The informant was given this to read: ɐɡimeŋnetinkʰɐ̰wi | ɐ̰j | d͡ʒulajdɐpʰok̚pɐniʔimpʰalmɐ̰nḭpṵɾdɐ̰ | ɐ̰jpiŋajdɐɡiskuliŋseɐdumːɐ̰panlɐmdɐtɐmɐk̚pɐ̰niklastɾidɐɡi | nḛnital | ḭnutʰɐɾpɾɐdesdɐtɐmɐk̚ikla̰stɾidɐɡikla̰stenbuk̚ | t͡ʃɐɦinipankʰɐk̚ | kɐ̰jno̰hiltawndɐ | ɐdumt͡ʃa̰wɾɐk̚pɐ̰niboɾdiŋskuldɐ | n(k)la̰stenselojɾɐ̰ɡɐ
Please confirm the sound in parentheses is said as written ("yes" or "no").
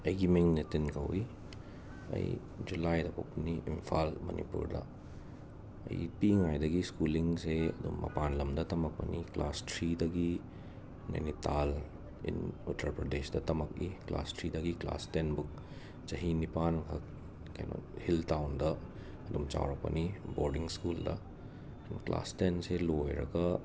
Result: yes